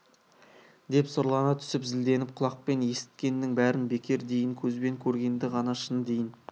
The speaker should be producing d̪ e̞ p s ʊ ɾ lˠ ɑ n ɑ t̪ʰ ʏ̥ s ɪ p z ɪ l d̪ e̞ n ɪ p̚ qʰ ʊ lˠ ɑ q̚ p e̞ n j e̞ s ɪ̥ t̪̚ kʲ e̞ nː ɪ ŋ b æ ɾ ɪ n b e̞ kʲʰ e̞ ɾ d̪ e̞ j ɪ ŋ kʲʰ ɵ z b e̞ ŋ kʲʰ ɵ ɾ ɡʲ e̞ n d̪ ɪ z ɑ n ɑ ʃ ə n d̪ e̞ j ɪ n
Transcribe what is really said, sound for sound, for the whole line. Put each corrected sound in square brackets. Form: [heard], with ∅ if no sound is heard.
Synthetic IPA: d̪ e̞ p s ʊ ɾ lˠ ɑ n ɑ t̪ʰ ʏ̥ s ɪ p z ɪ l d̪ e̞ n ɪ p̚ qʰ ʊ lˠ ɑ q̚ p e̞ n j e̞ s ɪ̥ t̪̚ kʲ e̞ nː ɪ ŋ b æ ɾ ɪ n b e̞ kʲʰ e̞ ɾ d̪ e̞ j ɪ ŋ kʲʰ ɵ z b e̞ ŋ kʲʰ ɵ ɾ ɡʲ e̞ n d̪ ɪ [ʁ] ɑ n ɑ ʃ ə n d̪ e̞ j ɪ n